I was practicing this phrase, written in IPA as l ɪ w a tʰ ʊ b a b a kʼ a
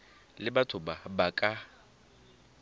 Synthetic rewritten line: l ɪ b a tʰ ʊ b a b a kʼ a